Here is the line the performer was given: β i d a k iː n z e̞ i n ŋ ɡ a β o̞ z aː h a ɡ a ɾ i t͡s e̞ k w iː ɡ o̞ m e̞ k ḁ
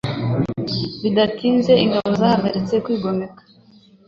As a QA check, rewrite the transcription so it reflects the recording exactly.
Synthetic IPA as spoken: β i d a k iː n z e̞ i ŋ ɡ a β o̞ z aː h a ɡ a ɾ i t͡s e̞ k w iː ɡ o̞ m e̞ k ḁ